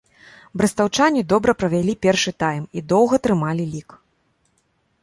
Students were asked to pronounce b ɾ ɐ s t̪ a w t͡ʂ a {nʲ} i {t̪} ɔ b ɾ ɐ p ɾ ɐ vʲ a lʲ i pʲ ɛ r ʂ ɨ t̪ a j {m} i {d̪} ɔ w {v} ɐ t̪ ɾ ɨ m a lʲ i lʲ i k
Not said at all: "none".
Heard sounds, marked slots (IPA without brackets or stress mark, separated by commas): nʲ, d̪, m, d̪, ɣ